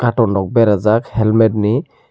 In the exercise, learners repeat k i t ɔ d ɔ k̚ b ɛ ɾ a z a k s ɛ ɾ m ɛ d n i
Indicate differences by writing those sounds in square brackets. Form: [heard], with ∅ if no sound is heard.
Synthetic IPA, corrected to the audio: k [a] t ɔ [n] ɔ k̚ b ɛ ɾ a z a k [h] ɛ [l] m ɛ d n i